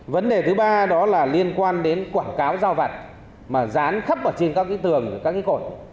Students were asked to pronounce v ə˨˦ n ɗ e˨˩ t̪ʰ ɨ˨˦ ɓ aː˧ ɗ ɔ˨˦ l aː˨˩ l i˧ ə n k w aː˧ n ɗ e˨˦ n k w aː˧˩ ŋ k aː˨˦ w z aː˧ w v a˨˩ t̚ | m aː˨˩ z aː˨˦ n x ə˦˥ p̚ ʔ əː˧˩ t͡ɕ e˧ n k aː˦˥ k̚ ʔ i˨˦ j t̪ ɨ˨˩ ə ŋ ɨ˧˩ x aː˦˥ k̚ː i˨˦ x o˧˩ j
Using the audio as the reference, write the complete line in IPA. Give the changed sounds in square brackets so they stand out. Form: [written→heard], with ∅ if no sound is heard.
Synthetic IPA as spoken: v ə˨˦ n ɗ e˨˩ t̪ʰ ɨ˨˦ ɓ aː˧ ɗ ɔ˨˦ l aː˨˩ l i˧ ə n k w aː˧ n ɗ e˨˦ n k w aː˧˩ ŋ k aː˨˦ w z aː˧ w v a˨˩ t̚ | m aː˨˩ z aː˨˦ n x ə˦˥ p̚ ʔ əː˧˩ t͡ɕ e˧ n k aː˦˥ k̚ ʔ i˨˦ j t̪ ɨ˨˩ ə ŋ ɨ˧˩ [x→k] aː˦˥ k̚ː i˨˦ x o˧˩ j